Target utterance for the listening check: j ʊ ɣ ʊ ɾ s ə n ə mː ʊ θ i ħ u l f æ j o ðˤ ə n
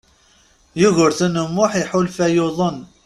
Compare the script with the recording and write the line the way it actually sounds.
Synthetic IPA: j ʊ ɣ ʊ ɾ θ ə n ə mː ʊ ħ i ħ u l f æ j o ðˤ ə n